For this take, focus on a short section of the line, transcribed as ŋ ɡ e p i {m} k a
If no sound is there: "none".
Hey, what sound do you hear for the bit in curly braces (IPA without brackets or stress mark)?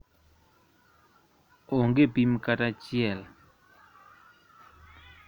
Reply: m